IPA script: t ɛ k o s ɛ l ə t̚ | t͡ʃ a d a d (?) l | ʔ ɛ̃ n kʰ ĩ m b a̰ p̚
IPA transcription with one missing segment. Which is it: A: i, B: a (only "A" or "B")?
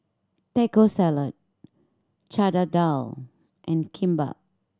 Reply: B